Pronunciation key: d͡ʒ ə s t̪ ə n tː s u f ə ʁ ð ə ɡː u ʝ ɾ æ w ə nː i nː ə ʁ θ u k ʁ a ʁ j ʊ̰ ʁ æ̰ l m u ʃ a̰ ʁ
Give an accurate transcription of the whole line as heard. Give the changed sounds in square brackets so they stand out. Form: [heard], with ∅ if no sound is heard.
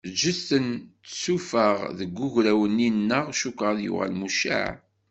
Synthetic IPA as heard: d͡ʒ ə s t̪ ə n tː s u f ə ʁ ð ə ɡː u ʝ ɾ æ w ə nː i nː ə ʁ [ʃ] u k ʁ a [ð] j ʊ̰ ʁ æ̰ l m u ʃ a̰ [ʕ]